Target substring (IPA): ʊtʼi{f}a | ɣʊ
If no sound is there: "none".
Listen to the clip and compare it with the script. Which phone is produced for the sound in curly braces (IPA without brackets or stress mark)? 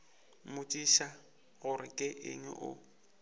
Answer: ʃ